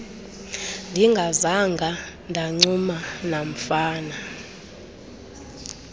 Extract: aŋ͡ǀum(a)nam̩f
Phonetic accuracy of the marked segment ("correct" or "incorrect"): correct